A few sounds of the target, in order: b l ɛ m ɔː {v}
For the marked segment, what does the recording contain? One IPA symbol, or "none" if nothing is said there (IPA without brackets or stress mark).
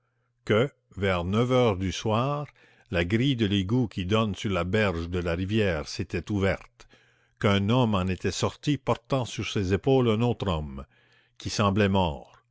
ʁ